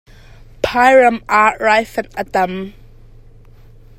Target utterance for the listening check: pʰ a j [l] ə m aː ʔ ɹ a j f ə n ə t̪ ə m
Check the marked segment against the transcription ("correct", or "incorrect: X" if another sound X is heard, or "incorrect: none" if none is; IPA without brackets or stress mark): incorrect: ɹ